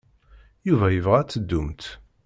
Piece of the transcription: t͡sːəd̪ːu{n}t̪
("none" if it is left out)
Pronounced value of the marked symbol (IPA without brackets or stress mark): m